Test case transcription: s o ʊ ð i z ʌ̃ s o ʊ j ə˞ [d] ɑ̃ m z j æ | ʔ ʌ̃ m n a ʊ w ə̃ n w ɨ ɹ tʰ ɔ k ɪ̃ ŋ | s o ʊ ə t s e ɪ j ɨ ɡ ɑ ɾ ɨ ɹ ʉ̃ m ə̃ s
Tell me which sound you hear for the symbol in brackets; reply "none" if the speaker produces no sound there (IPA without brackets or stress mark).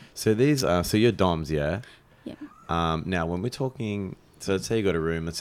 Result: d